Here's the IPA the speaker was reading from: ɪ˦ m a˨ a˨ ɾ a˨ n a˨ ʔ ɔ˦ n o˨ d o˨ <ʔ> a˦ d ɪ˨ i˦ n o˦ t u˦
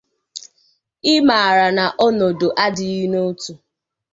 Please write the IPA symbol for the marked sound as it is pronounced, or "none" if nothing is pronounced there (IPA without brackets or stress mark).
ʔ